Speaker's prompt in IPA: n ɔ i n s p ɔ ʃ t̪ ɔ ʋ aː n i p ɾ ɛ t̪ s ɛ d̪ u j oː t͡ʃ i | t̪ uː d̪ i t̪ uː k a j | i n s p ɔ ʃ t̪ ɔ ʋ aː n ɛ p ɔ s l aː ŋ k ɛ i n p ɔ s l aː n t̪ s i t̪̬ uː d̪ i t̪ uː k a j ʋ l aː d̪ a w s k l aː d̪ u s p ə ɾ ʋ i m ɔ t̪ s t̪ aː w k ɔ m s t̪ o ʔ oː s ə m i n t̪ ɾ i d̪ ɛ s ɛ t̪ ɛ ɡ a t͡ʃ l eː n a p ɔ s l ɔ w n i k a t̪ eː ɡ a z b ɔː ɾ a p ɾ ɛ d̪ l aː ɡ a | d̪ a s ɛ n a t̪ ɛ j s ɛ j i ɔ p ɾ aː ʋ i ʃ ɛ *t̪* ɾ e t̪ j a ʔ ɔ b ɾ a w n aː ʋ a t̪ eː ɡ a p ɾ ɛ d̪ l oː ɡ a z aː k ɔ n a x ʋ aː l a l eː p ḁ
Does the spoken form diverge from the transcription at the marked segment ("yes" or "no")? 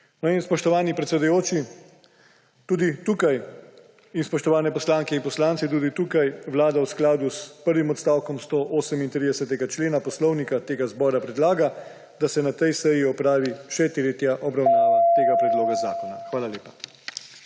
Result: no